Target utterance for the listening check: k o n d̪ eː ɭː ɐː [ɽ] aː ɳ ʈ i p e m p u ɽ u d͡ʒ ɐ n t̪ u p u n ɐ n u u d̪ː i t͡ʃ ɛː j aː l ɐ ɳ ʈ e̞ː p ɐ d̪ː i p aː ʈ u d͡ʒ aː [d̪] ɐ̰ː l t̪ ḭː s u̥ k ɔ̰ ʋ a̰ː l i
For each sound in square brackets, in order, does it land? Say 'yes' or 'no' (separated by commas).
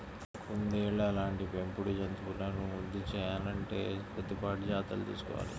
no, no